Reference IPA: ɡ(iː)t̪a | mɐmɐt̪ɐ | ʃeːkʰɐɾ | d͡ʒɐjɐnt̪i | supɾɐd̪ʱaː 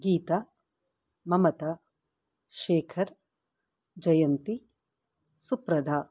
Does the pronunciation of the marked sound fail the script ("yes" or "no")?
no